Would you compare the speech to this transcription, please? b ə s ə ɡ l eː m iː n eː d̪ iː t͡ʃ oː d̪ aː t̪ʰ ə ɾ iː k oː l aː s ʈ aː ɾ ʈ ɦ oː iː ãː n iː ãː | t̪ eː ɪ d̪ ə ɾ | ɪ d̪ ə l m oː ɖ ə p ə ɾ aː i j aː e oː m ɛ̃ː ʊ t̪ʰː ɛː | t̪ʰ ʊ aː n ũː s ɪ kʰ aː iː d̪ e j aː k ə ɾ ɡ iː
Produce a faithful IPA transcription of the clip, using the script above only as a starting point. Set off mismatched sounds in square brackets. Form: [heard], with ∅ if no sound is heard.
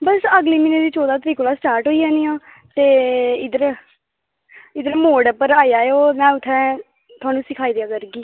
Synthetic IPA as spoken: b ə s ə ɡ l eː m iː n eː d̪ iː t͡ʃ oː d̪ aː [t̪] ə ɾ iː k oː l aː s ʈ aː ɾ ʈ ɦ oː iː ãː n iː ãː | t̪ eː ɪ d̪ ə ɾ | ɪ d̪ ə [ɾ] m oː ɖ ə p ə ɾ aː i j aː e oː m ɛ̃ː ʊ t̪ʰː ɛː | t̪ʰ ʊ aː n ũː s ɪ kʰ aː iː d̪ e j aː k ə ɾ ɡ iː